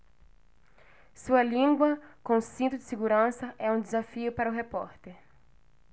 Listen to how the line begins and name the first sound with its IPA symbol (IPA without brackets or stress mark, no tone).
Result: s